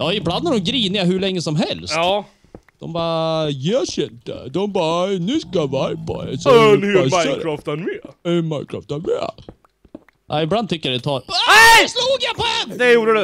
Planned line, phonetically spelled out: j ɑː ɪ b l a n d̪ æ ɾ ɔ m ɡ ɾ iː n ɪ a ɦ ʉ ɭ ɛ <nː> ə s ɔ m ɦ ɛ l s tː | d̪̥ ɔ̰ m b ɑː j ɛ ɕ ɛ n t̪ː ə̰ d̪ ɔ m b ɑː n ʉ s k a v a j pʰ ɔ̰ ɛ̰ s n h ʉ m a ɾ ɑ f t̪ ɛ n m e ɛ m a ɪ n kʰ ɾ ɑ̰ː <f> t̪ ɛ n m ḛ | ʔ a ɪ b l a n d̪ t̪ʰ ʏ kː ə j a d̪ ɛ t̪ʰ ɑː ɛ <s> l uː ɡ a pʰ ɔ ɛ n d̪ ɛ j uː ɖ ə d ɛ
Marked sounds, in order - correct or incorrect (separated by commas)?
incorrect, correct, correct